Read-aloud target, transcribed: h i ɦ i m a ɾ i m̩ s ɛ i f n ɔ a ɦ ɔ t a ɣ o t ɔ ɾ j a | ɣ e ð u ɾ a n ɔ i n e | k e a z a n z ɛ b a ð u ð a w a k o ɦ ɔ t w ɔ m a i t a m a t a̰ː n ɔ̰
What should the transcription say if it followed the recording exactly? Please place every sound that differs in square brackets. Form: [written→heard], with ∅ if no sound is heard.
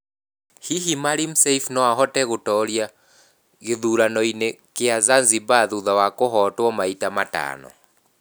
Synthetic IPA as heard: h i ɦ i m a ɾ i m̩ s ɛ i f n ɔ a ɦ ɔ t [a→ɛ] ɣ o t ɔ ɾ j a | ɣ e ð u ɾ a n ɔ i n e | k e a z a n z [ɛ→i] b a ð u ð a w a k o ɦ ɔ t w ɔ m a i t a m a t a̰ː n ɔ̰